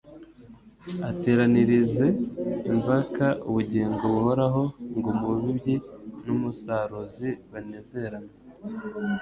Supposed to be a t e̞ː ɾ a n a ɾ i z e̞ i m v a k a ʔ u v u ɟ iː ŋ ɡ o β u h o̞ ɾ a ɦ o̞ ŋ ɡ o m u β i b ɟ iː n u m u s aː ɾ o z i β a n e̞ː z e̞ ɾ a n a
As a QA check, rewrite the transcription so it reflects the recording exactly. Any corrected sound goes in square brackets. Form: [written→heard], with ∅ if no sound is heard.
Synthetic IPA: a t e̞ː ɾ a n [a→i] ɾ i z e̞ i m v a k a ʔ u [v→β] u ɟ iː ŋ ɡ o β u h o̞ ɾ a ɦ o̞ ŋ ɡ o m u β i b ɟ [iː→i] n u m u s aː ɾ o z i β a n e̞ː z e̞ ɾ a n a